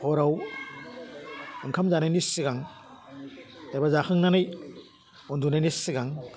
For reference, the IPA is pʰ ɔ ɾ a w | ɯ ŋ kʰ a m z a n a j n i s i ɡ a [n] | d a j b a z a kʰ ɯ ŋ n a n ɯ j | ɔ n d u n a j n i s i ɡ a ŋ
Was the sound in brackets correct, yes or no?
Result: no